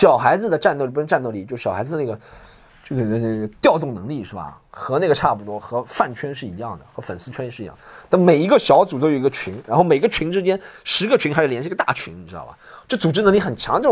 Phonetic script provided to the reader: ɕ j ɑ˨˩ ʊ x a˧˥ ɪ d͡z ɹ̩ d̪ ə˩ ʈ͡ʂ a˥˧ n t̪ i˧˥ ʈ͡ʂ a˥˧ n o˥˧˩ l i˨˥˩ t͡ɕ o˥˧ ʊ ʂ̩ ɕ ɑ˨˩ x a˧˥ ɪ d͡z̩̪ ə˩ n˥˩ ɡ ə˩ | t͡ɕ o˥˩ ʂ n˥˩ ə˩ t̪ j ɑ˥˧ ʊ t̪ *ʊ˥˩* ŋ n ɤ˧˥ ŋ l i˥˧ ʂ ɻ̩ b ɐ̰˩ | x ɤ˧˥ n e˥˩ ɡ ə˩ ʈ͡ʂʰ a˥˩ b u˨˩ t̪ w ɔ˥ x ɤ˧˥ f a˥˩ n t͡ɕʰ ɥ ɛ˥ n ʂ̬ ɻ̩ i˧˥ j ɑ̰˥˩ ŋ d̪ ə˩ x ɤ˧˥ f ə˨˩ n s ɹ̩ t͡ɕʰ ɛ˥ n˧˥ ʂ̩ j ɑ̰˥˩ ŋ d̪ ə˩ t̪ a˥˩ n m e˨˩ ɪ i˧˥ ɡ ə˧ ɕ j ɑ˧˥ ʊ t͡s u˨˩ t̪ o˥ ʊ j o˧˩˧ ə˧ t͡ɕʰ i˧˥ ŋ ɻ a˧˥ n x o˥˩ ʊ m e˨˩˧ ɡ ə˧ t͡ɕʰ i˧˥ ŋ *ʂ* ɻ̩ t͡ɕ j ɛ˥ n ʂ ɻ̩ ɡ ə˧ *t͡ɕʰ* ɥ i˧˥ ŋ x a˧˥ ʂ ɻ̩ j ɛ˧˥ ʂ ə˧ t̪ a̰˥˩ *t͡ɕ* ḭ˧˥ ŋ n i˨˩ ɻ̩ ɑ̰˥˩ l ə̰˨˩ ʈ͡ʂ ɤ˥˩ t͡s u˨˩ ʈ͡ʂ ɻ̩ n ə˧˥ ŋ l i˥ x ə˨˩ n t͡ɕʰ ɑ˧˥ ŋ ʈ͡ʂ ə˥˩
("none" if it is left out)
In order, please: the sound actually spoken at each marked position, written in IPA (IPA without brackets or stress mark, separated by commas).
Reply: ʊ˥˩, ʈ͡ʂ, t͡ɕʰ, t͡ɕʰ